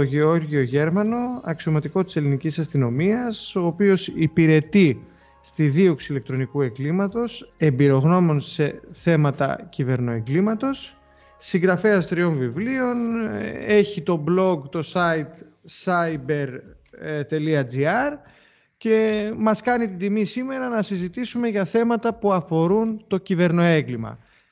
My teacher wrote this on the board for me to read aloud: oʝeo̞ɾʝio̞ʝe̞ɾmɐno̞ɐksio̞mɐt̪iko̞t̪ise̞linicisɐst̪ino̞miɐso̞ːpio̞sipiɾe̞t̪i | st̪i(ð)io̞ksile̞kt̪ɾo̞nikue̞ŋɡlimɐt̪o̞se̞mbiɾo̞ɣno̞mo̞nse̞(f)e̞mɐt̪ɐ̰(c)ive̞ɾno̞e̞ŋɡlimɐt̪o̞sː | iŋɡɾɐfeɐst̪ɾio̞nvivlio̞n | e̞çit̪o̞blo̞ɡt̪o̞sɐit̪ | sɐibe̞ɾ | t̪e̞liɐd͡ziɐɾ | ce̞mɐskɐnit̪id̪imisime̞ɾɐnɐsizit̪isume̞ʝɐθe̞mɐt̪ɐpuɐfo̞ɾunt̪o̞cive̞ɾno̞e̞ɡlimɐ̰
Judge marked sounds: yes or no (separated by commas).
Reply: yes, no, yes